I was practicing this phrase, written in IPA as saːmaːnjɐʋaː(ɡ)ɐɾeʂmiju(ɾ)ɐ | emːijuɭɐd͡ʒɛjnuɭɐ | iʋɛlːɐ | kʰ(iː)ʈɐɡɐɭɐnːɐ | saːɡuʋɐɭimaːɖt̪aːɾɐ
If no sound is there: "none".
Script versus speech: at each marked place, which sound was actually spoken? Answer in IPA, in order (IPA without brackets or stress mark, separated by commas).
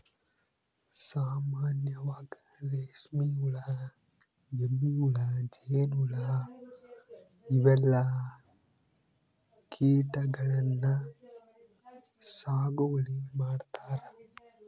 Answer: ɡ, ɭ, iː